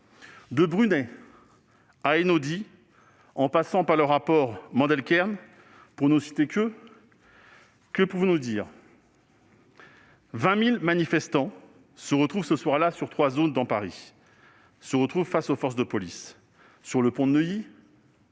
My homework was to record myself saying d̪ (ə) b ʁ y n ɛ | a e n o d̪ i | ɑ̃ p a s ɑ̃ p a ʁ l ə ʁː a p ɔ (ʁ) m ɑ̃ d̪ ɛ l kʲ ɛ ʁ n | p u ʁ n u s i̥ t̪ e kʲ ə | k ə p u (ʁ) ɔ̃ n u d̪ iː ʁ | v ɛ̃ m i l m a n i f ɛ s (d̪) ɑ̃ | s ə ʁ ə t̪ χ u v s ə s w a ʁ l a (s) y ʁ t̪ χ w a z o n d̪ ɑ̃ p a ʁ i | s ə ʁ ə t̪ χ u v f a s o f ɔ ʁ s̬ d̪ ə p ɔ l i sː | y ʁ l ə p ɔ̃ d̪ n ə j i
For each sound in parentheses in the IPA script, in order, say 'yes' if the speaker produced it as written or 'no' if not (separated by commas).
yes, yes, no, no, yes